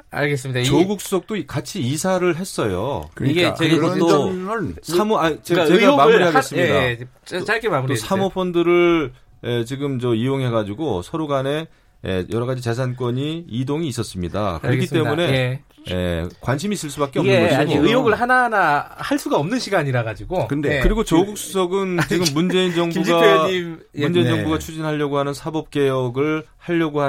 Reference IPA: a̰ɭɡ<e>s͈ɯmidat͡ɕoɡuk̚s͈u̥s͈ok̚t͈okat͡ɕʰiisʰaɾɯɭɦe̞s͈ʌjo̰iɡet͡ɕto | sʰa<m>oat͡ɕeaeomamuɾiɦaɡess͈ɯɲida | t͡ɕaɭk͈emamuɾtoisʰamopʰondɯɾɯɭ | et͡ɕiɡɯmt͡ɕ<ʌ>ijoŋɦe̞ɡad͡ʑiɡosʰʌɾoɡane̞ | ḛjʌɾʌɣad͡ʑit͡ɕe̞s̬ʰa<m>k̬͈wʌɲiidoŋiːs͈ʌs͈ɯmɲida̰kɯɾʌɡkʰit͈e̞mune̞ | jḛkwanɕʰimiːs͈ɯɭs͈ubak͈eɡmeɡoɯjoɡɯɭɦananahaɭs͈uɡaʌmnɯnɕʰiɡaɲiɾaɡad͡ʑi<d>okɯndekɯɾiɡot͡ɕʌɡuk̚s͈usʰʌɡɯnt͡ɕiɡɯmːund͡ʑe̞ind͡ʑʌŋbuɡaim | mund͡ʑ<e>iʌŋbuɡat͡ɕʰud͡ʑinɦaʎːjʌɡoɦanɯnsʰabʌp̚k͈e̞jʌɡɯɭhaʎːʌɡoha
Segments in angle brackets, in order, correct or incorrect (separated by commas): correct, correct, correct, incorrect, incorrect, correct